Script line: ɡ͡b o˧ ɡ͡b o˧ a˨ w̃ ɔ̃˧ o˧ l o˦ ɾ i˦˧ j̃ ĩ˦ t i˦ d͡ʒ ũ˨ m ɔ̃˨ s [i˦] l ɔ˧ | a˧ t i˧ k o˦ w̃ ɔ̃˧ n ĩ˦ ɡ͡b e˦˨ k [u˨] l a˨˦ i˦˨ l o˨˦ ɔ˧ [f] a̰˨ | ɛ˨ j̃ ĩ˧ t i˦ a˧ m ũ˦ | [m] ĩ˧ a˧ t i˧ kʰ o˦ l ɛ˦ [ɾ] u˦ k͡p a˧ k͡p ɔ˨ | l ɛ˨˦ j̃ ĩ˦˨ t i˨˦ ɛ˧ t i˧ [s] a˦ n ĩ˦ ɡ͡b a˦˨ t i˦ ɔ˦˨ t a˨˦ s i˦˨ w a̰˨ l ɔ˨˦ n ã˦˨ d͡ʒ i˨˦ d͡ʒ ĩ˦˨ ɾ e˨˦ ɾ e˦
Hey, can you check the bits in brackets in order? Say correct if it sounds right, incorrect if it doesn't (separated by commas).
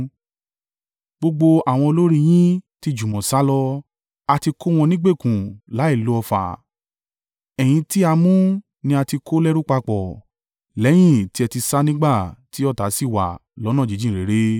incorrect, incorrect, correct, incorrect, correct, correct